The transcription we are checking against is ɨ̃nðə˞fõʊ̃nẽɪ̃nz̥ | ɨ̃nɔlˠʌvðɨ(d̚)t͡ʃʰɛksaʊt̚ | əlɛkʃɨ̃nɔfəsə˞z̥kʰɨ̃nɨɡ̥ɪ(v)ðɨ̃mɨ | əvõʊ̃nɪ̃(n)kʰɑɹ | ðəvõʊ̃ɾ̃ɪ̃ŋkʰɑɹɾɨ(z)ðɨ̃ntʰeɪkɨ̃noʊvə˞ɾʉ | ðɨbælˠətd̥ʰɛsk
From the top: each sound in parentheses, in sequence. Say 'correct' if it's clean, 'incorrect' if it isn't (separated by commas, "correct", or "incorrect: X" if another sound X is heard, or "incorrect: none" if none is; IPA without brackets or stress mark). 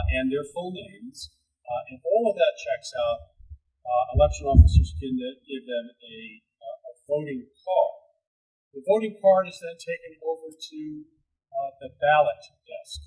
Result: incorrect: t̚, correct, incorrect: ŋ, correct